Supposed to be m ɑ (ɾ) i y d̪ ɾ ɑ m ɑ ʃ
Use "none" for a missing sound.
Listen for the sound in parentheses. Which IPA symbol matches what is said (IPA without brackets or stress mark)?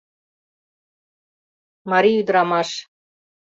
ɾ